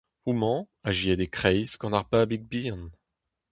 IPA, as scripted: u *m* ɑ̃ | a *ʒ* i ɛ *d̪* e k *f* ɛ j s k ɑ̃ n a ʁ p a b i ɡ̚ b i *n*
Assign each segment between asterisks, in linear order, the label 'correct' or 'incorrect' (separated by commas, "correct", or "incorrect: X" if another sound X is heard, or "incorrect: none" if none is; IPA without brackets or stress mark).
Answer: correct, correct, correct, incorrect: χ, correct